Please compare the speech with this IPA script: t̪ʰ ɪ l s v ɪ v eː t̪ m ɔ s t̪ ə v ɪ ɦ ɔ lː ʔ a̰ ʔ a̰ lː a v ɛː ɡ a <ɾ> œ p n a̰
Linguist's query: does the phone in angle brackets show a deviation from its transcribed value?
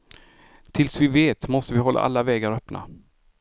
no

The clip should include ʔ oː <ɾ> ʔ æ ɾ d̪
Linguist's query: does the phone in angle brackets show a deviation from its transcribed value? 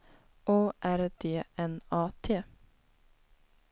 yes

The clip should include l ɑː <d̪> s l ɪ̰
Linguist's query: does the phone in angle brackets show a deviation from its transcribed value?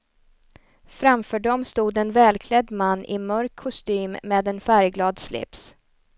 no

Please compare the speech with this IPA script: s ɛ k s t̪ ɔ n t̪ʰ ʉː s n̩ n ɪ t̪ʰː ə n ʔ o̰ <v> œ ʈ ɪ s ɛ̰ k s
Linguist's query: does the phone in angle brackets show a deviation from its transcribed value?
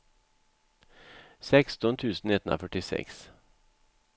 yes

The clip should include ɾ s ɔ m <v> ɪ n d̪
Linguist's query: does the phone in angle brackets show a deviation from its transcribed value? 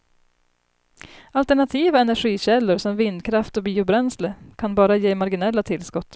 no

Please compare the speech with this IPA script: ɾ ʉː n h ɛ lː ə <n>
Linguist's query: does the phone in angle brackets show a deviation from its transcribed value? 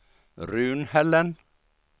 no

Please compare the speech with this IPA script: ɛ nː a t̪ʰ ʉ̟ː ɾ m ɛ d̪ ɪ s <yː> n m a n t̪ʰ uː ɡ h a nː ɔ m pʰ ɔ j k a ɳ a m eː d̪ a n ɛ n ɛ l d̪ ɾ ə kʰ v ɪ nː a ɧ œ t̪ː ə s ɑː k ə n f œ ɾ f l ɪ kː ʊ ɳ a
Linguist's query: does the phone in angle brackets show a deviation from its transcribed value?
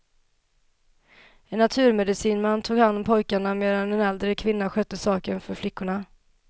yes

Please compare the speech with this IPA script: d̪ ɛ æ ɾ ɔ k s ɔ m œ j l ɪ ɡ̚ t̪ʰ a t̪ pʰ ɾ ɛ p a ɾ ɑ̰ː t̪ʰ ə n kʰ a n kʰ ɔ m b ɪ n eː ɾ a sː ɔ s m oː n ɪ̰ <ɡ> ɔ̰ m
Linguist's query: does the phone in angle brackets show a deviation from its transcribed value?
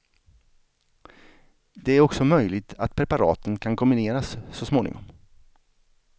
yes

